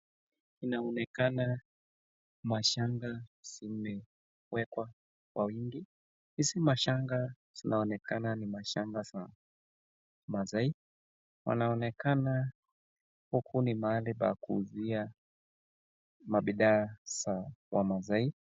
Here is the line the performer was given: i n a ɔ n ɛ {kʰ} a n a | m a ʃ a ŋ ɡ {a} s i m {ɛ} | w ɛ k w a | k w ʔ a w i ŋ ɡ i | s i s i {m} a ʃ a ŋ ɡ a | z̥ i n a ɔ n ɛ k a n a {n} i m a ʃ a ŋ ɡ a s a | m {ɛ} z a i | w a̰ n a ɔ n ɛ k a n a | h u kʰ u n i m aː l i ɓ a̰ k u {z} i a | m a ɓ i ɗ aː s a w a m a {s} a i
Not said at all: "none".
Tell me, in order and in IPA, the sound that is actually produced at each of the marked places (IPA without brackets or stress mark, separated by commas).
k, a, ɛ, m, n, a, z, z